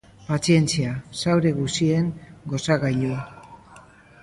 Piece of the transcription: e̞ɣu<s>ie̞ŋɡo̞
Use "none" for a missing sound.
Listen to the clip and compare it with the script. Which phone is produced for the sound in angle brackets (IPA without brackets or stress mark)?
s